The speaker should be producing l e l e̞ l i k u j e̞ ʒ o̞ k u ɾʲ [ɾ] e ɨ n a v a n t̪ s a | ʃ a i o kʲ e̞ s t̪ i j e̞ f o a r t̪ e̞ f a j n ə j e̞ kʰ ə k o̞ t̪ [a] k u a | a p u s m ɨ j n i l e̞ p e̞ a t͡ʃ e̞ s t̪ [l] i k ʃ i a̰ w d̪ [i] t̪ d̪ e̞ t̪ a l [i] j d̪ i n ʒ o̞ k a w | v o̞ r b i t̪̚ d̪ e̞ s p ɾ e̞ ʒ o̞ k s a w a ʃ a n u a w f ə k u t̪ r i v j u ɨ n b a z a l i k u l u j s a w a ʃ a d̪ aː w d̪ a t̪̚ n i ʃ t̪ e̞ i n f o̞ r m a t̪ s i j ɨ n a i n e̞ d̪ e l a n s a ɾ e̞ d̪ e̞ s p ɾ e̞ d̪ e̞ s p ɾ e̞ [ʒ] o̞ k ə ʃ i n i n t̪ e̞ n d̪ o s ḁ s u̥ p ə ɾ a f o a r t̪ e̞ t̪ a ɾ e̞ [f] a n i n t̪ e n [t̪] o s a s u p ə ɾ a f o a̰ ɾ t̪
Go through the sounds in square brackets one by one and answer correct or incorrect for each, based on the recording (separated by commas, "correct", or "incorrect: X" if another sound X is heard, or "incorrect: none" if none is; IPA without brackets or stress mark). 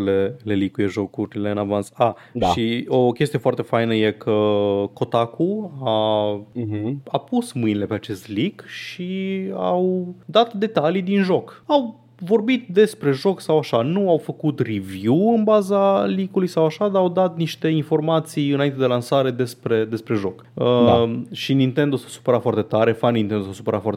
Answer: incorrect: l, correct, correct, incorrect: a, correct, correct, correct, incorrect: d̪